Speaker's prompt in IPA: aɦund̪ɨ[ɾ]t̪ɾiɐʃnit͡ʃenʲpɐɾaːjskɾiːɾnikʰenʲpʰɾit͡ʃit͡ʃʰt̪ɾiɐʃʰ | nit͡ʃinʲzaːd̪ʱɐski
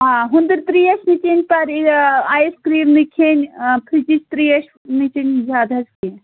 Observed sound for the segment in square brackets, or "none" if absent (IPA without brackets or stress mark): ɾ